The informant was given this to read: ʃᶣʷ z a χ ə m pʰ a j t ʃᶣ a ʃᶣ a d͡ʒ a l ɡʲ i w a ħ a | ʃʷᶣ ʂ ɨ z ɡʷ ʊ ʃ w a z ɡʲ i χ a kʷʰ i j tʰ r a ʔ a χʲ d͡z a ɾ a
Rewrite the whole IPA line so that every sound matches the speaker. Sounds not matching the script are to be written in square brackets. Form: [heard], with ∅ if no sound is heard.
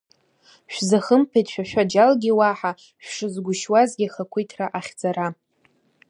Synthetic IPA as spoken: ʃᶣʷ z a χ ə m pʰ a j t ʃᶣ a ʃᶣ a d͡ʒ a l ɡʲ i w a ħ a | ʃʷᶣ ʂ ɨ z ɡʷ ʊ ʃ w a z ɡʲ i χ a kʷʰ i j tʰ r a ʔ a χʲ d͡z a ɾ a